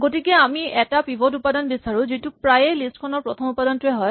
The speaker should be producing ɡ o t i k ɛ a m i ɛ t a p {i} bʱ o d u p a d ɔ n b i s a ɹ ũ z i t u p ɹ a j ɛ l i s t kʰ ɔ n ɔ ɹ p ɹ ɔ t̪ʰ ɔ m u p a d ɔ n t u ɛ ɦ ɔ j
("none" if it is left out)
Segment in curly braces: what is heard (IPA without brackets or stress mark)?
i